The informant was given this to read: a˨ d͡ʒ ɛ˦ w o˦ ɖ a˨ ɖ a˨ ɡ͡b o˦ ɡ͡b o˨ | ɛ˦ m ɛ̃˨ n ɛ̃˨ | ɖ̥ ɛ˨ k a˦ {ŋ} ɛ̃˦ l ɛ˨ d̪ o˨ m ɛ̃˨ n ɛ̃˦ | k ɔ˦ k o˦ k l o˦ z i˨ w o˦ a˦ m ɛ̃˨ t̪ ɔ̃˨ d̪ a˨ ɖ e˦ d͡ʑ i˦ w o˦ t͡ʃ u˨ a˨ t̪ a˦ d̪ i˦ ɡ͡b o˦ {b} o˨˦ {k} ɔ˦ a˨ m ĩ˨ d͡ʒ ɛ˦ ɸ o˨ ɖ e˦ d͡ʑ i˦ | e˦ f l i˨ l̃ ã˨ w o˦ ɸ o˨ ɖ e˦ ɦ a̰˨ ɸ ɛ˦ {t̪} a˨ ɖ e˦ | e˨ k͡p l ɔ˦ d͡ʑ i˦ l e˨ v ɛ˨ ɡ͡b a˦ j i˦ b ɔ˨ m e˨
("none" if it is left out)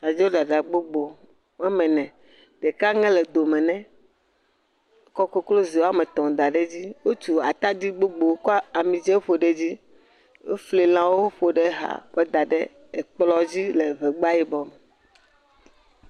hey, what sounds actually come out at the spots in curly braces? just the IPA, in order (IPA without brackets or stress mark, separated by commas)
ŋ, ɡ͡b, k, d̪